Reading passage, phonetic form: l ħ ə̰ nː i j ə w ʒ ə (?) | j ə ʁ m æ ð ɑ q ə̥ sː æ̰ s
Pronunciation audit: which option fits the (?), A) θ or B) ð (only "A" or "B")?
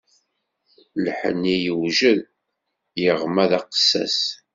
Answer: B